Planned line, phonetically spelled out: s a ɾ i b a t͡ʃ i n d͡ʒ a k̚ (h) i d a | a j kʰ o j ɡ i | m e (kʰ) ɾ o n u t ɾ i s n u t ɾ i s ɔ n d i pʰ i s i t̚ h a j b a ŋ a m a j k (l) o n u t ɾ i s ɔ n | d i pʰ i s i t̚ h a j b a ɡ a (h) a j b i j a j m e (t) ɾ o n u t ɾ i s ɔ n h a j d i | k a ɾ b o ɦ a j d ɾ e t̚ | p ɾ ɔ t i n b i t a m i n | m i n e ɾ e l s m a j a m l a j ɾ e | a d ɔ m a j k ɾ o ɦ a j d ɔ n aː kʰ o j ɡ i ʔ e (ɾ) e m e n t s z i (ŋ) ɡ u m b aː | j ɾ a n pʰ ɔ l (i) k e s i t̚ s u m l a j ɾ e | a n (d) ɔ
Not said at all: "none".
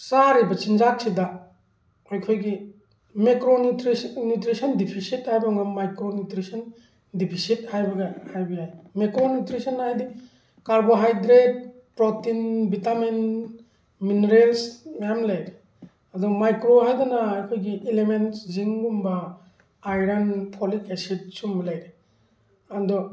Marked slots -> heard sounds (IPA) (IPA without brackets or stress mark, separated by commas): s, k, ɾ, h, k, l, ŋ, i, d